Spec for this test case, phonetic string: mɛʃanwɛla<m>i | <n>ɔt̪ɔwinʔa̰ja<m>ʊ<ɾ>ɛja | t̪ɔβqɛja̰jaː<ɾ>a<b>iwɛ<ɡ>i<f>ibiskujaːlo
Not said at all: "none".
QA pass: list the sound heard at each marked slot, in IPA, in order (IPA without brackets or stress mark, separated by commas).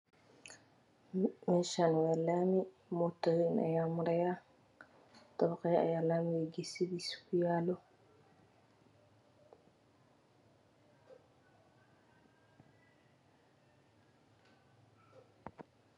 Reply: m, m, m, ɾ, l, m, ɡ, s